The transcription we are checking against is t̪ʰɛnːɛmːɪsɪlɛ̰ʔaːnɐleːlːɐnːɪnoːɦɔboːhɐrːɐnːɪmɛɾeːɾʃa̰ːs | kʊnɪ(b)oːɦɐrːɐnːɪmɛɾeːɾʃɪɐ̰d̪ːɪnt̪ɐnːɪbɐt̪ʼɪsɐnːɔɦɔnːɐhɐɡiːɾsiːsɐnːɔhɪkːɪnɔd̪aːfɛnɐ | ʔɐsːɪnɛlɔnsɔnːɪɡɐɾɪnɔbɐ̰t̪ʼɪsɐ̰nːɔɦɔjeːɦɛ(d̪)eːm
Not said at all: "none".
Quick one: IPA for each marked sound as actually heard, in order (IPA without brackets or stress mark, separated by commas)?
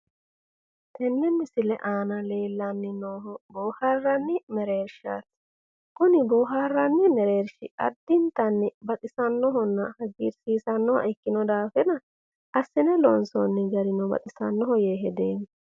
b, d̪